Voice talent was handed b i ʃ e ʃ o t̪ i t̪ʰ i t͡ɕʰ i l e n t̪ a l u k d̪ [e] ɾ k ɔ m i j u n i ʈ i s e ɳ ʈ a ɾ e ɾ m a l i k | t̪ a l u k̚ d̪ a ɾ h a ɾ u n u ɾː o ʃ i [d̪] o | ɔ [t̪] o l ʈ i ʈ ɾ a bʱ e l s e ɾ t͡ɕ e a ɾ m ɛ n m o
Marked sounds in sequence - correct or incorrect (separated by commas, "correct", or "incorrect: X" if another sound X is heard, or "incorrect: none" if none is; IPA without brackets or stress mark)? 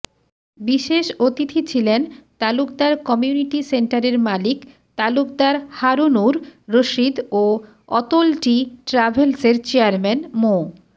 incorrect: a, correct, correct